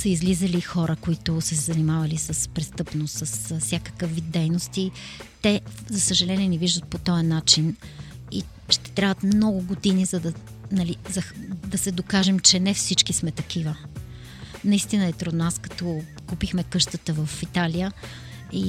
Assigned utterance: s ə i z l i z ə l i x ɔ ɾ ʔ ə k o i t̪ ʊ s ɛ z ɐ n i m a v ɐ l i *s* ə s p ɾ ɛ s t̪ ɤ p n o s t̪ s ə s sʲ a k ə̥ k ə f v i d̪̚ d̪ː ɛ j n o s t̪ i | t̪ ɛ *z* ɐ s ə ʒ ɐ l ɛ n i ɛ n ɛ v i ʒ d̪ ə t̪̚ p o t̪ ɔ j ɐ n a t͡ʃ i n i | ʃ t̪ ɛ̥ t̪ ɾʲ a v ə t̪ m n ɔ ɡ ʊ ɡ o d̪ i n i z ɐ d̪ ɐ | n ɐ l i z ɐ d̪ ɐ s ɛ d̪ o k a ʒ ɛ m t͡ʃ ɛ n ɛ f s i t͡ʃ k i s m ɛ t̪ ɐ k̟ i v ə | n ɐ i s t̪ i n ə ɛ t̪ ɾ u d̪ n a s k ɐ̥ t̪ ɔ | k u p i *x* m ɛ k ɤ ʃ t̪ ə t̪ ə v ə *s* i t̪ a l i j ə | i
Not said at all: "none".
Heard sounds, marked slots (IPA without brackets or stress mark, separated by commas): s, z, x, f